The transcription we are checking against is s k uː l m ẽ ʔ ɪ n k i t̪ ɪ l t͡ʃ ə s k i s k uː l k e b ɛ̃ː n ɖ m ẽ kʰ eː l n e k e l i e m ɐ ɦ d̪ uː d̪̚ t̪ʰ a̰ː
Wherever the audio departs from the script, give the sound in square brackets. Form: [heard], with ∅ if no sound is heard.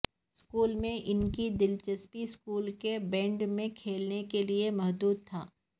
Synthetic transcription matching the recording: s k uː l m ẽ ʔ ɪ n k i [d̪] ɪ l t͡ʃ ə s [p] i s k uː l k e b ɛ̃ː [ɳ] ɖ m ẽ kʰ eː l n e k e l i e m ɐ ɦ d̪ uː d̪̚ t̪ʰ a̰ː